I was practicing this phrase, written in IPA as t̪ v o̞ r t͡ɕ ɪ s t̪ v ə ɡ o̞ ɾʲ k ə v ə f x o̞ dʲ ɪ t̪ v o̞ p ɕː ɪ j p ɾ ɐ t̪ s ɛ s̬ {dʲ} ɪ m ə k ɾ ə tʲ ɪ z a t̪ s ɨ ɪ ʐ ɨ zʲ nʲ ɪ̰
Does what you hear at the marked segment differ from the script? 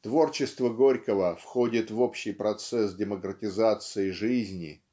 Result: no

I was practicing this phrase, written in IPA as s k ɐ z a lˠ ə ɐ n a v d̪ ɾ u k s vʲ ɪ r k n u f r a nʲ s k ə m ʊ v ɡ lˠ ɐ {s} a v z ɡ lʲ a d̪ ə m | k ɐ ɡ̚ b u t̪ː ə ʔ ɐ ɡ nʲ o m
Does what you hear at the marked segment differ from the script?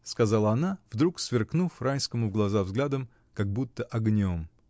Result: yes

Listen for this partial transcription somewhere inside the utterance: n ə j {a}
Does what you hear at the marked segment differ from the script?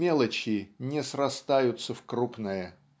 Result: yes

